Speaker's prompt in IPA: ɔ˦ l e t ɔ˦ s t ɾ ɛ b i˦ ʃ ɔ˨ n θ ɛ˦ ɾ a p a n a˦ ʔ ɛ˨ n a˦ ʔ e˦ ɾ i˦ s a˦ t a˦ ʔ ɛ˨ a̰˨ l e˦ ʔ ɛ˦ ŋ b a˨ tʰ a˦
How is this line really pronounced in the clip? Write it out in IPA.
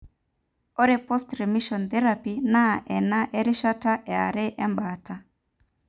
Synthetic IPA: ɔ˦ ɾ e p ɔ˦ s t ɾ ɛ m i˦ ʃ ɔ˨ n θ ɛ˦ ɾ a p i n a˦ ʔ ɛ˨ n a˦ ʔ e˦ ɾ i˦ ʃ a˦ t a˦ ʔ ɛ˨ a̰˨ ɾ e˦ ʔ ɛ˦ m b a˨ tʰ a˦